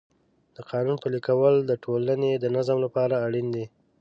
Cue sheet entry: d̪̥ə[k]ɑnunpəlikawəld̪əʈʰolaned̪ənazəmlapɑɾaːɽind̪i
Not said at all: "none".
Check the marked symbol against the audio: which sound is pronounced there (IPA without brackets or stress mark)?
q